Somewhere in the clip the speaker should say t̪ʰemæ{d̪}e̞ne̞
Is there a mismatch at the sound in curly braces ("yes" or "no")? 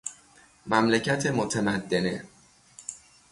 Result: yes